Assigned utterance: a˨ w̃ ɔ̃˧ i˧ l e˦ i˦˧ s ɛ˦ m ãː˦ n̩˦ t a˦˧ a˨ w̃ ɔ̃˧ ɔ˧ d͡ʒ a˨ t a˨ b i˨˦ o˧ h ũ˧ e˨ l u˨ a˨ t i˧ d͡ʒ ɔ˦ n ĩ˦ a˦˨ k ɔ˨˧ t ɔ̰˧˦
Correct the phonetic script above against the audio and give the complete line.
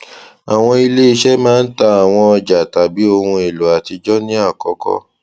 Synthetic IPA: a˨ w̃ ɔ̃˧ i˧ l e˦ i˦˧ ʃ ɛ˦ m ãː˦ n̩˦ t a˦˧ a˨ w̃ ɔ̃˧ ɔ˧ d͡ʒ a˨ t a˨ b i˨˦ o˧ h ũ˧ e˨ l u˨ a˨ t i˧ d͡ʒ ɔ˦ n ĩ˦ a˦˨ k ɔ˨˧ k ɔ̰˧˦